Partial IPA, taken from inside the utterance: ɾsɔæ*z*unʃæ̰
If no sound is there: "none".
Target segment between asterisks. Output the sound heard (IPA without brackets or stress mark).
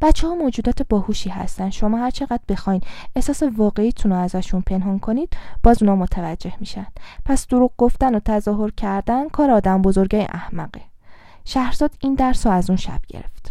z